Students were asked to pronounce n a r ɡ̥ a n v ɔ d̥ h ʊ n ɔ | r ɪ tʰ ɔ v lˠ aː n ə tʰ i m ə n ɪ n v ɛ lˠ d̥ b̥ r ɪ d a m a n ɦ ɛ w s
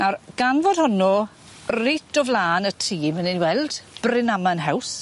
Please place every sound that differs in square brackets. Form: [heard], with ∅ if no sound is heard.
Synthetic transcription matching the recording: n a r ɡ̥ a n v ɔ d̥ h ʊ n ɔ | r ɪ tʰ ɔ v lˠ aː n ə tʰ [iː] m ə n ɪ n [w] ɛ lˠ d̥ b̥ r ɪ [n] a m a n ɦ ɛ w s

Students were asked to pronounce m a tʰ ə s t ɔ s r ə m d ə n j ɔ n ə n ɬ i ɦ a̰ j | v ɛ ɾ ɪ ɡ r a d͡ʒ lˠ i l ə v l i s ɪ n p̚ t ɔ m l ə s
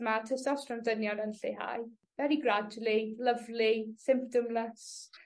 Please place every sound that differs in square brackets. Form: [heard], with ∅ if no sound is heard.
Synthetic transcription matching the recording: m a tʰ ə s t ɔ s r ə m d ə n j ɔ n ə n ɬ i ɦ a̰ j | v ɛ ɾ [i] ɡ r a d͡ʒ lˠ i l ə v l i s ɪ [m] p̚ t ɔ m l ə s

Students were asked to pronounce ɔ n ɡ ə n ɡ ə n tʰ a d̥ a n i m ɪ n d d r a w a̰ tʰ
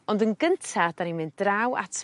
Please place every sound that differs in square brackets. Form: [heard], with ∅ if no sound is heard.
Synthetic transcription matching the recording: ɔ n [d] ə n ɡ ə n tʰ a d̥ a n i m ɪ n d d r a w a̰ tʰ

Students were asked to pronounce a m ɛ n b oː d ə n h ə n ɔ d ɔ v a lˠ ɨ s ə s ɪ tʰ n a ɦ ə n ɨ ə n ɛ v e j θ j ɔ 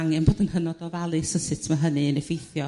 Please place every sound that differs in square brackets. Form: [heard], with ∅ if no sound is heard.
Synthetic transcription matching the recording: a [ŋ] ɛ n b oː d ə n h ə n ɔ d ɔ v a lˠ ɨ s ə s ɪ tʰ [m] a ɦ ə n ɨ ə n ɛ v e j θ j ɔ

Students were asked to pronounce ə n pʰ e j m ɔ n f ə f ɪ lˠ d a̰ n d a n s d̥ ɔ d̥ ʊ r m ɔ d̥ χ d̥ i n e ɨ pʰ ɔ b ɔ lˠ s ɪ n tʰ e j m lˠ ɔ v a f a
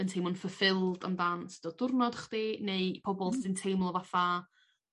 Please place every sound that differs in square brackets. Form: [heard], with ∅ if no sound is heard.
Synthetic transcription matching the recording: ə n [tʰ] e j m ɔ n f ə f ɪ lˠ d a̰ [m] d a n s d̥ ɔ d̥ ʊ r [n] ɔ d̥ χ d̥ i n e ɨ pʰ ɔ b ɔ lˠ s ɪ n tʰ e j m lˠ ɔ v a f a

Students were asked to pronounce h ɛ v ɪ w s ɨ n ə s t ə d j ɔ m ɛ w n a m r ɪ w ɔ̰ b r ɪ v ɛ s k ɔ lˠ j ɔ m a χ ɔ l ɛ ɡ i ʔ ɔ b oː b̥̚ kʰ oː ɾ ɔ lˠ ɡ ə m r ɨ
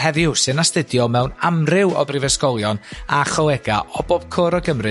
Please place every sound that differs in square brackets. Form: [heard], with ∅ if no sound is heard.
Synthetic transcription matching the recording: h ɛ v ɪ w s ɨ n [a] s t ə d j ɔ m ɛ w n a m r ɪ w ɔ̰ b r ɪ v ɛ s k ɔ lˠ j ɔ [n] a χ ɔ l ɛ ɡ [a] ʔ ɔ b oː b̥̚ kʰ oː ɾ ɔ [∅] ɡ ə m r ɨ

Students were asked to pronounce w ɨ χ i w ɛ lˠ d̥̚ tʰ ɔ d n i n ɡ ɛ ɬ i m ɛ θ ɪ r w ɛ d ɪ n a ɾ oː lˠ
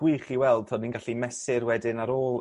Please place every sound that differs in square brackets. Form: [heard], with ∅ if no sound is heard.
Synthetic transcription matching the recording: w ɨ χ i w ɛ lˠ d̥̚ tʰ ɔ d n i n ɡ [a] ɬ i m ɛ [s] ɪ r w ɛ d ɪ n a ɾ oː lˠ

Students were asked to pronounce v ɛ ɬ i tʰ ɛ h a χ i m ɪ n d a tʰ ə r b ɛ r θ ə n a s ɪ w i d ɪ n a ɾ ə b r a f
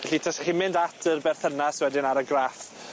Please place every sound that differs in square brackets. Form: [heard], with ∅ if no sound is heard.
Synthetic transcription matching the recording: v ɛ ɬ i tʰ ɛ [s] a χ i m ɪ n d a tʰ ə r b ɛ r θ ə n a s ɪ w [ɛ] d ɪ n a ɾ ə [ɡ] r a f

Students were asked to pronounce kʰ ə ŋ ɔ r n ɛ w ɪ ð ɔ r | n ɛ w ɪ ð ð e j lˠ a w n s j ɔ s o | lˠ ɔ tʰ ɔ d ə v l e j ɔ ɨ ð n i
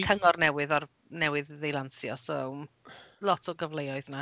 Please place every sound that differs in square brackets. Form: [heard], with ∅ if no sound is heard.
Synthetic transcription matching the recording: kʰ ə ŋ ɔ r n ɛ w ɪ ð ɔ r | n ɛ w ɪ ð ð e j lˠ a [∅] n s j ɔ s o | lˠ ɔ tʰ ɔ [ɡ] ə v l e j ɔ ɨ ð n [a]

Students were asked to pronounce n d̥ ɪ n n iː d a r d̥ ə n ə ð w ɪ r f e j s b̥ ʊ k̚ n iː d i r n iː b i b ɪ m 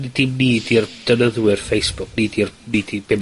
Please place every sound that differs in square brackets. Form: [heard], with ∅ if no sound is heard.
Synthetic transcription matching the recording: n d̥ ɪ [m] n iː d [i] r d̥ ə n ə ð w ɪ r f e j s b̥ ʊ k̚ n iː d i r n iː [d] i b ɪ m

